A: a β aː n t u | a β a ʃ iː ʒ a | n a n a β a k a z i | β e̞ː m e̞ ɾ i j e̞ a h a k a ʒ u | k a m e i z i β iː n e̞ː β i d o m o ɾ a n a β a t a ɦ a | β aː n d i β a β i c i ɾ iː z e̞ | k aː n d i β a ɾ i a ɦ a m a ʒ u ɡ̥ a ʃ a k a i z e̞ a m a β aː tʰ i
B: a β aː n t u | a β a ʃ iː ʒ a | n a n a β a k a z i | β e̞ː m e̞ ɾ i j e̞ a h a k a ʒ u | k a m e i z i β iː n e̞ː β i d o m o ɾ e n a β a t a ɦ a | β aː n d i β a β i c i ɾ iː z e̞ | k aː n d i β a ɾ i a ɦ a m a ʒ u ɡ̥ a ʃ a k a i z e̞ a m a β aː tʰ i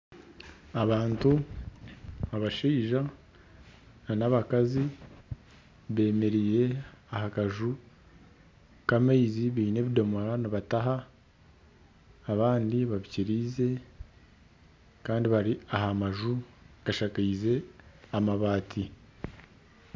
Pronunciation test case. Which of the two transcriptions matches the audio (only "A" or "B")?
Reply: A